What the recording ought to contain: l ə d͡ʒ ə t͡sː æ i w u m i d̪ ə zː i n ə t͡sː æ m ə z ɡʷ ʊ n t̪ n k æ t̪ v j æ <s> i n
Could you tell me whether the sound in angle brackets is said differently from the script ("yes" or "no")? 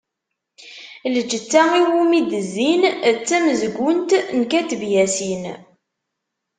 no